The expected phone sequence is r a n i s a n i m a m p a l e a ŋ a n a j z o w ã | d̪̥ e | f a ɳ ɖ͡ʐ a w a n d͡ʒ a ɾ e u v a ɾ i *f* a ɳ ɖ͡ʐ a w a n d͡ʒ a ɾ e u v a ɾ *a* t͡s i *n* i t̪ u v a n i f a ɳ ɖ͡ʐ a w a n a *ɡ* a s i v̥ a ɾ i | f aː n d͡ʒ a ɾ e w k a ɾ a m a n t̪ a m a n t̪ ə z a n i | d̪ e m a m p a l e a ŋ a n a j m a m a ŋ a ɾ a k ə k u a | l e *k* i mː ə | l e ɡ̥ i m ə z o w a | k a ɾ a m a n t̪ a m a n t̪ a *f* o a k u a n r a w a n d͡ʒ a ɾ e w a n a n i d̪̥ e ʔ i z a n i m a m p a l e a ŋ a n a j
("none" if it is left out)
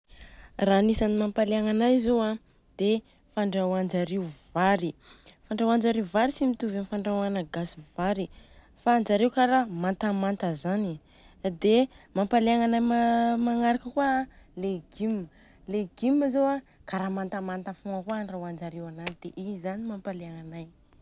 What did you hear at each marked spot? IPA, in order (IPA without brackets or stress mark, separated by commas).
f, i, m, ɡ, ɡ, f